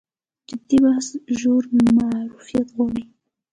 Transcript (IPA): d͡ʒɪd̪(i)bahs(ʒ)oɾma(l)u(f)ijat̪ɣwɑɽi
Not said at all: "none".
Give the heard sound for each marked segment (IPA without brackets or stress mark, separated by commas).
i, ʒ, ɾ, f